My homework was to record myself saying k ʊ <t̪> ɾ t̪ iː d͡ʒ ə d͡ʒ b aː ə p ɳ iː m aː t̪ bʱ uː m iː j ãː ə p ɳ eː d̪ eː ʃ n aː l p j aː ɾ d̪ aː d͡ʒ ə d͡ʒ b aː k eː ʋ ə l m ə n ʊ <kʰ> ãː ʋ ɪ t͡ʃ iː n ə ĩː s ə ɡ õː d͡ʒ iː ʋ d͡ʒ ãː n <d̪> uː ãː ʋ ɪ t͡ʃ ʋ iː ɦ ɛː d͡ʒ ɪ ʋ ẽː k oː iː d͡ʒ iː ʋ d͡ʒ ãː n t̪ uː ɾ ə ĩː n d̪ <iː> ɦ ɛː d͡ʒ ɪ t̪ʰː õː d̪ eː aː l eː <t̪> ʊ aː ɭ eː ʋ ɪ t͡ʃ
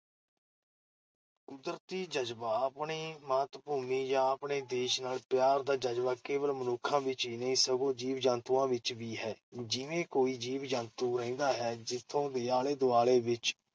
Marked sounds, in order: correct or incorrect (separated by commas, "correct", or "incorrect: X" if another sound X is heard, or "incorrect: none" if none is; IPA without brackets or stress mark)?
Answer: incorrect: d̪, correct, incorrect: t̪, incorrect: aː, incorrect: d̪